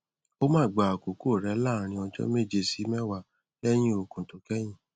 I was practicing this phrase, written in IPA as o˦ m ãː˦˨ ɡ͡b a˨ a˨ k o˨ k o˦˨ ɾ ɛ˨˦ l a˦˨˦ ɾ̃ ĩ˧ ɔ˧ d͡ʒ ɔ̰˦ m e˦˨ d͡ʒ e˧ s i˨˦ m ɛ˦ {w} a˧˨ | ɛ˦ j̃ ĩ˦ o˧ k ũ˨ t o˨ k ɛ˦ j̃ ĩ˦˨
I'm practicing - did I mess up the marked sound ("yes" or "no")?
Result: no